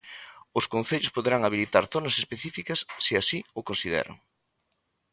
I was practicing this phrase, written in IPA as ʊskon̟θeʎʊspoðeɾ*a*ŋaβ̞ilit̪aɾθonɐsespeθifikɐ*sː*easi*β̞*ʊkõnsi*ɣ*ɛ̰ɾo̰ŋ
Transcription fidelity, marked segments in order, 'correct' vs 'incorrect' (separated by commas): correct, correct, incorrect, incorrect